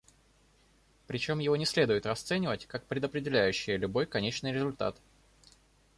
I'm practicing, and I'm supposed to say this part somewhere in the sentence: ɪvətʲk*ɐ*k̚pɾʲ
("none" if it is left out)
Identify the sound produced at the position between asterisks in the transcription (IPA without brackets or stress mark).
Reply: a